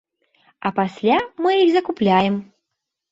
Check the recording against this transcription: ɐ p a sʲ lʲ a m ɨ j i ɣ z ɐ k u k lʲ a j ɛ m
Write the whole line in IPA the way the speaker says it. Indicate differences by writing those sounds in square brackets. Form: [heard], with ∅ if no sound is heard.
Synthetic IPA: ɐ p a sʲ lʲ a m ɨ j i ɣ z ɐ k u [p] lʲ a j ɛ m